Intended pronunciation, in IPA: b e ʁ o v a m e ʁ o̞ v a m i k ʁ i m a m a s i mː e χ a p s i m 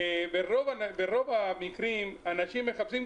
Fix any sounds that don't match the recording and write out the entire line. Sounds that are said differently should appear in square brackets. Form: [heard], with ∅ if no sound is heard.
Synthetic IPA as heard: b e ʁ o v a [b] e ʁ o̞ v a m i k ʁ i m a [n] a [ʃ] i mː e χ a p s i m